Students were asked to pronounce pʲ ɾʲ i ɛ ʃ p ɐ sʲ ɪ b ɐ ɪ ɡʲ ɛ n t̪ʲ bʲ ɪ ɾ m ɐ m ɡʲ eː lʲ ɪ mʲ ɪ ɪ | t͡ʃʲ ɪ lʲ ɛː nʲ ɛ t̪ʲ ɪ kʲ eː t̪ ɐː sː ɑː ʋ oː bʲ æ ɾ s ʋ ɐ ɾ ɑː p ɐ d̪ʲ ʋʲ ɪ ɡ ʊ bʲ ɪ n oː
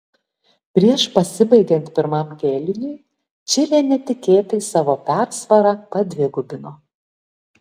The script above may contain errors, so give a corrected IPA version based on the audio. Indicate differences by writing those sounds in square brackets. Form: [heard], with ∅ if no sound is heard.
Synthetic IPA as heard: pʲ ɾʲ i ɛ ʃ p ɐ sʲ ɪ b ɐ ɪ ɡʲ ɛ n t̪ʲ [pʲ] ɪ ɾ m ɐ m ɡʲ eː lʲ ɪ [nʲ] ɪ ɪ | t͡ʃʲ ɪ lʲ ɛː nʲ ɛ t̪ʲ ɪ kʲ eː t̪ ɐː [s] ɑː ʋ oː [pʲ] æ ɾ s ʋ ɐ ɾ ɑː p ɐ d̪ʲ ʋʲ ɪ ɡ ʊ bʲ ɪ n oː